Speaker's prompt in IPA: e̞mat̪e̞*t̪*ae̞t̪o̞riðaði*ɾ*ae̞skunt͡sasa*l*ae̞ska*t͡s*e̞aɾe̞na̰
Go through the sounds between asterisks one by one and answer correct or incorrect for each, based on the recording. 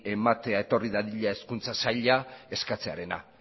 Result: incorrect, incorrect, incorrect, correct

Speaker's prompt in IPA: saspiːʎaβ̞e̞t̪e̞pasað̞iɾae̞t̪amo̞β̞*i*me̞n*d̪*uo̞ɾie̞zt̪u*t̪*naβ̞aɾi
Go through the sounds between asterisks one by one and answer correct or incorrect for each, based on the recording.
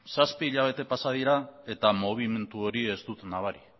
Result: correct, incorrect, correct

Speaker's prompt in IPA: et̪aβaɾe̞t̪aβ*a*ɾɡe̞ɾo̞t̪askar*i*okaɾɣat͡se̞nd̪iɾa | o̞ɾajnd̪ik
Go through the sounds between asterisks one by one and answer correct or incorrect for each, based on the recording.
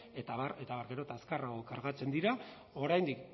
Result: correct, incorrect

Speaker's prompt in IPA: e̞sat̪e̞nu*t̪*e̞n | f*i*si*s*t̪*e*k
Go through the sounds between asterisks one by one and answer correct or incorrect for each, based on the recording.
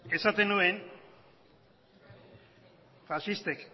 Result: incorrect, incorrect, correct, correct

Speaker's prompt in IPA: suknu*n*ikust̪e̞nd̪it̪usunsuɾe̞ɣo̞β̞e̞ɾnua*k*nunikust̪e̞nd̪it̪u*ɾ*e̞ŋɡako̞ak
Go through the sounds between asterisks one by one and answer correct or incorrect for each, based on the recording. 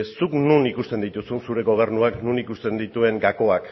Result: correct, correct, incorrect

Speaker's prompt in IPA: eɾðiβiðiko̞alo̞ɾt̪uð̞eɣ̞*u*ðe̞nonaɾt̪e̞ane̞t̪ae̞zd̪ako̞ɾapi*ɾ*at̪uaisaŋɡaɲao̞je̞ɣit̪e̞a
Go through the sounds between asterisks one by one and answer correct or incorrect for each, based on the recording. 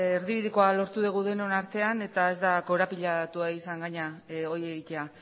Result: correct, incorrect

